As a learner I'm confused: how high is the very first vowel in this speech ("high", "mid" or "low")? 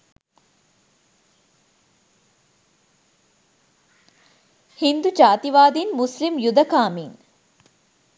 high